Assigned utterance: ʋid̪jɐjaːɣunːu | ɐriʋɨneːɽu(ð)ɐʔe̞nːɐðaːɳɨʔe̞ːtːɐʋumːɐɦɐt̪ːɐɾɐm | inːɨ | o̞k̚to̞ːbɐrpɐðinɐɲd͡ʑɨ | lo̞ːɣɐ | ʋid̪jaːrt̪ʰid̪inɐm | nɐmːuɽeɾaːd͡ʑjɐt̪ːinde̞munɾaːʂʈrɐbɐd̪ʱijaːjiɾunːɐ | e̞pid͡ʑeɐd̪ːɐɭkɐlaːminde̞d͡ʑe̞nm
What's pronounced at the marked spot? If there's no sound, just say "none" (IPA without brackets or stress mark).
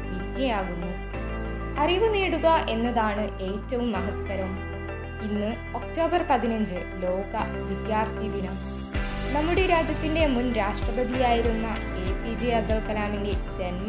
ɣ